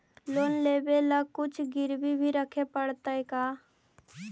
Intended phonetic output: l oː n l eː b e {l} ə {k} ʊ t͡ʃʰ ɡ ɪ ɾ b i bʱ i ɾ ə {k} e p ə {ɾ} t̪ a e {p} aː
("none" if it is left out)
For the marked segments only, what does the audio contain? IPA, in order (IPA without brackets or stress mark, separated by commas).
l, k, kʰ, ɽ, k